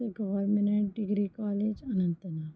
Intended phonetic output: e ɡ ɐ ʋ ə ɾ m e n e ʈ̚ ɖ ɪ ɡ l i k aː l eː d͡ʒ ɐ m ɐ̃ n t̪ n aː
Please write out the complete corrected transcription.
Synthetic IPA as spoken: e ɡ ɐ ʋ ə ɾ m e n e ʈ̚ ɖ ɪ ɡ ɾ i k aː l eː d͡ʒ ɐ n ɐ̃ n t̪ n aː